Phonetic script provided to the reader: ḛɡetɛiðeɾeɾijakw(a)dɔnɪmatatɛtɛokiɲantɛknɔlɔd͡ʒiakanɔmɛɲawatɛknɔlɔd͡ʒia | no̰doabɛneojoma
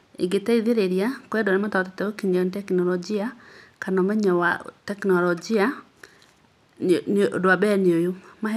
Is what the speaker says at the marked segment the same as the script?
no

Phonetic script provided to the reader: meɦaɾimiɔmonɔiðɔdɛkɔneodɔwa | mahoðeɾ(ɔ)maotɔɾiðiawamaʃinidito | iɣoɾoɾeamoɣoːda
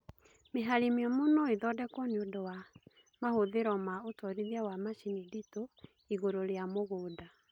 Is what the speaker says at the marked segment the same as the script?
yes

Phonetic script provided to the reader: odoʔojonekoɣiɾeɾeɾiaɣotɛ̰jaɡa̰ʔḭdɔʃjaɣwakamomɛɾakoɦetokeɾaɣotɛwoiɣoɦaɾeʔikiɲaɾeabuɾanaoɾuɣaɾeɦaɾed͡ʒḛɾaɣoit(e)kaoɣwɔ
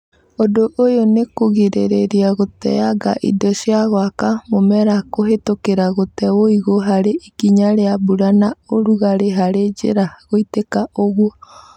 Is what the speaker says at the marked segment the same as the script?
yes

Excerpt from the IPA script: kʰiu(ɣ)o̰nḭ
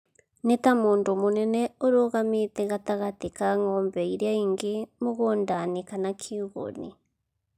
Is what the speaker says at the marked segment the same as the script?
yes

